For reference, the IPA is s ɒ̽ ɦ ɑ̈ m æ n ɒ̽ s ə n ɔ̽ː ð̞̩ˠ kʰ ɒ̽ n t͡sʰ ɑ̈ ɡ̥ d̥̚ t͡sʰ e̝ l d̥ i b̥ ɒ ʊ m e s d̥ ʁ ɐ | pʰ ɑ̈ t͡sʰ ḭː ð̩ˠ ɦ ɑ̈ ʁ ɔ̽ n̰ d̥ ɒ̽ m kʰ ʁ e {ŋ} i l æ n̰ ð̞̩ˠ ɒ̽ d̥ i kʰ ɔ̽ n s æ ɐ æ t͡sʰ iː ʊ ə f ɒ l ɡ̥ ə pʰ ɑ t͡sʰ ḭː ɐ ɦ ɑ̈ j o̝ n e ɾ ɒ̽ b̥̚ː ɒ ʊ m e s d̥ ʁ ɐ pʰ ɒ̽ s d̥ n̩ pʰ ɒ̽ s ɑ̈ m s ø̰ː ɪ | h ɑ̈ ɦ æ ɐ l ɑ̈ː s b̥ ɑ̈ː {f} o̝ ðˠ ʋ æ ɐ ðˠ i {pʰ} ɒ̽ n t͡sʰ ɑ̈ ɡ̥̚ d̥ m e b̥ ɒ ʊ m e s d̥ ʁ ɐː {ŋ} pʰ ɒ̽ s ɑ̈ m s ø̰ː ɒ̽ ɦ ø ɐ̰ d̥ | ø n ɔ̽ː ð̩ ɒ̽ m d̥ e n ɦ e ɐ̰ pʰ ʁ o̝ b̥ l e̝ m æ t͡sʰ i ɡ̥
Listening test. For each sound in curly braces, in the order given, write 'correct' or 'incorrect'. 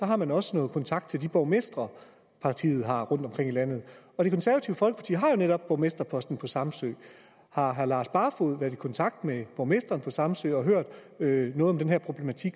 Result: correct, correct, incorrect: kʰ, incorrect: n

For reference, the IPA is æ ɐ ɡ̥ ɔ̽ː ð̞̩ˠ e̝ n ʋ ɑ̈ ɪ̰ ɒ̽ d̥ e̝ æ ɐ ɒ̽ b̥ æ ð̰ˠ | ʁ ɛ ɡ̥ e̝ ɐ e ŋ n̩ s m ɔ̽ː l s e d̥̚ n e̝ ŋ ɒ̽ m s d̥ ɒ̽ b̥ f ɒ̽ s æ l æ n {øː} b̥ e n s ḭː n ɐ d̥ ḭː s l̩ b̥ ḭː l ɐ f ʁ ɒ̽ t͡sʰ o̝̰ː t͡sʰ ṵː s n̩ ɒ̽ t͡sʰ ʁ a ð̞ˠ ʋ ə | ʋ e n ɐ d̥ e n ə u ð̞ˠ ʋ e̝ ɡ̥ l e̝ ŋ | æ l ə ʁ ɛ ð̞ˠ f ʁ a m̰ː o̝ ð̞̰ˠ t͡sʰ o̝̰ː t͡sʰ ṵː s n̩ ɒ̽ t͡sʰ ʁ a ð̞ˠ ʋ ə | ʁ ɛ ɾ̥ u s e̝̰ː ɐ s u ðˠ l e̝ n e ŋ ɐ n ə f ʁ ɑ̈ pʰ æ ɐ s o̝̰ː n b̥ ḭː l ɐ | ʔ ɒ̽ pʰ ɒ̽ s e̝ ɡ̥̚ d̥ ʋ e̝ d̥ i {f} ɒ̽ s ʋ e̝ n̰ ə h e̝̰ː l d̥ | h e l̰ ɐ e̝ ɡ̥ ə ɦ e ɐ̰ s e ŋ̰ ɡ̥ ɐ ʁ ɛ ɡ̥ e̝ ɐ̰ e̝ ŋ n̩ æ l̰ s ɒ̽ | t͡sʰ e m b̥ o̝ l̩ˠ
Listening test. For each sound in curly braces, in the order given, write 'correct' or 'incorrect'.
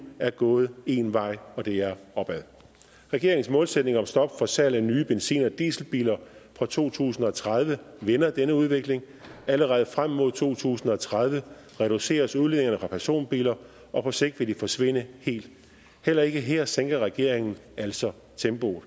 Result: incorrect: yː, correct

